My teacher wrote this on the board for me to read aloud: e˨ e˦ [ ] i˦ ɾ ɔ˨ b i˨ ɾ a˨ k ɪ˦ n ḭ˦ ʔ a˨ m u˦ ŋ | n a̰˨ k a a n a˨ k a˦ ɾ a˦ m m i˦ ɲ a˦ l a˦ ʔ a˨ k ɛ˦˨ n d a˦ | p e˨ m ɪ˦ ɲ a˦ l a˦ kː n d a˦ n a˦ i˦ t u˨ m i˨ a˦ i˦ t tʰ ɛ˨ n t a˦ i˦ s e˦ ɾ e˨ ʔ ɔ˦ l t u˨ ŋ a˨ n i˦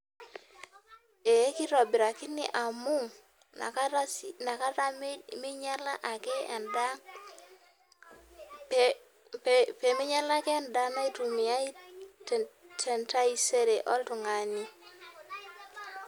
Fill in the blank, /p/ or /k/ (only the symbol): k